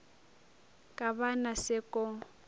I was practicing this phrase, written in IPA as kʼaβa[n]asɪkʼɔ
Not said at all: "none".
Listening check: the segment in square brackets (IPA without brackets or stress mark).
n